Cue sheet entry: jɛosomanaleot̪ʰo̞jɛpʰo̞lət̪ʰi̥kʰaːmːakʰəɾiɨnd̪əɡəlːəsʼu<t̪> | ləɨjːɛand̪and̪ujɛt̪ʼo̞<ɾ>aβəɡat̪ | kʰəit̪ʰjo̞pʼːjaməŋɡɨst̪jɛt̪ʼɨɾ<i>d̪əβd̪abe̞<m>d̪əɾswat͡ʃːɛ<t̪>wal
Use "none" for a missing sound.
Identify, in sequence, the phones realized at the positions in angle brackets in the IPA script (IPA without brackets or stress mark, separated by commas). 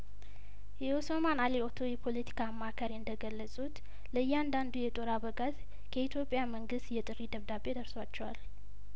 t̪, ɾ, i, none, none